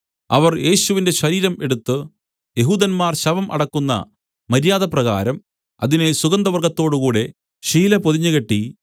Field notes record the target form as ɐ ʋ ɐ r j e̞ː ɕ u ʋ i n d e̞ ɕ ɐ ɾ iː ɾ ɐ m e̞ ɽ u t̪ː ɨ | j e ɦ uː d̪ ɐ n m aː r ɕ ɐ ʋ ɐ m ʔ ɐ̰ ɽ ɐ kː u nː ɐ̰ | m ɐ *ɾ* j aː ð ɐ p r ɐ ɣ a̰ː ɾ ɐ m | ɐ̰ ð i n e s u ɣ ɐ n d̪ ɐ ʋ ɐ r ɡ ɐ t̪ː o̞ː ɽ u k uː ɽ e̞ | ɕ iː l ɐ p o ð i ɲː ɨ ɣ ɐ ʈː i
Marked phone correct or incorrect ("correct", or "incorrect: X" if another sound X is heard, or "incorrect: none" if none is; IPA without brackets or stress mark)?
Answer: correct